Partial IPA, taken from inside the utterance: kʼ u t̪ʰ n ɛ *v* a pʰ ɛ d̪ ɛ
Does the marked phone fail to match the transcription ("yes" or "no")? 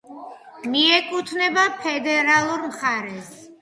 yes